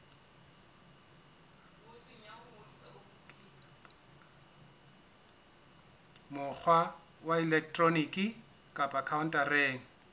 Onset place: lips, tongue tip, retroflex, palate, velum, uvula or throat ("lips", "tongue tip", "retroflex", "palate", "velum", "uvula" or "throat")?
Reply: lips